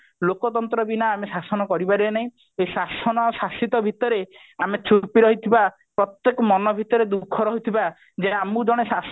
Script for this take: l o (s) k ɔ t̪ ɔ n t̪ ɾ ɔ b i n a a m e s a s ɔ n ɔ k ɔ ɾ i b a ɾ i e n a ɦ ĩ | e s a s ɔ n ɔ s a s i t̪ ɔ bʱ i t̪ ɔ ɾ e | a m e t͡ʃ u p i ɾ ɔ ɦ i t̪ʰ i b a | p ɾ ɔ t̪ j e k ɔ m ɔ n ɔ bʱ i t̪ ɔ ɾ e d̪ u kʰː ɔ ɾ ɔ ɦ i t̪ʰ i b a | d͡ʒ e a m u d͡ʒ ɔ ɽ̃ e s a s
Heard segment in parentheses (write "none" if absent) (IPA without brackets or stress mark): none